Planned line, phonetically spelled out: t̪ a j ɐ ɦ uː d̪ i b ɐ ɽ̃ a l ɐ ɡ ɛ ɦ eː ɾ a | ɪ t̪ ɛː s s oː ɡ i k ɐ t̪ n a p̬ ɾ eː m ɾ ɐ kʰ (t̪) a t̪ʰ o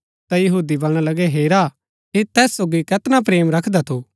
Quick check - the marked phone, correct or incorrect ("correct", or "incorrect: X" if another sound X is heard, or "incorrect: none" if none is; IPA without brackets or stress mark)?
incorrect: d̪